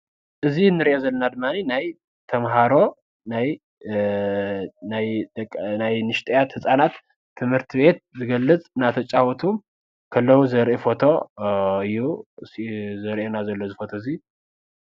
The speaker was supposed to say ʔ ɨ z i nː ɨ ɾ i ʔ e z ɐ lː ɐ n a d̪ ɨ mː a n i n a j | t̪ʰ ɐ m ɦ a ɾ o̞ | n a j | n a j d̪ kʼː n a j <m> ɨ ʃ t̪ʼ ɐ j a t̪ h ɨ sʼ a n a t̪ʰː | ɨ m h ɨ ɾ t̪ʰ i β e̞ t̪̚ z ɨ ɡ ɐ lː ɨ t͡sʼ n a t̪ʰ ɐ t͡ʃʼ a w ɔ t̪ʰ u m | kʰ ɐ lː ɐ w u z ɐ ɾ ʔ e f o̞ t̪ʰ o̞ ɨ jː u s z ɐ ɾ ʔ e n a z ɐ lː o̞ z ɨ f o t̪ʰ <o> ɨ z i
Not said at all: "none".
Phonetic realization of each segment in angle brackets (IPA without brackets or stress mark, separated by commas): n, o